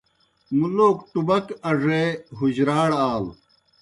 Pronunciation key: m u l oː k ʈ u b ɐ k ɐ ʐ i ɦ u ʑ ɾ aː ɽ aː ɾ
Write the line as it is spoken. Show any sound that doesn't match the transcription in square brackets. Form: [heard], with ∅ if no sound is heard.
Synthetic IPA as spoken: m u l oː k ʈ u b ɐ k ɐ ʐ [e] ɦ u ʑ ɾ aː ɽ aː [l]